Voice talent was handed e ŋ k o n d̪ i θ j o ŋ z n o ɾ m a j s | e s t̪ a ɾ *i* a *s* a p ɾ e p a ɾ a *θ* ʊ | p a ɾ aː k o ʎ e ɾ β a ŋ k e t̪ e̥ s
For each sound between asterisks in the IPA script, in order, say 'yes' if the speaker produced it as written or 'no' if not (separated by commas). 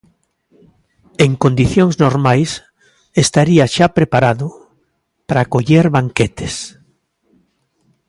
yes, no, no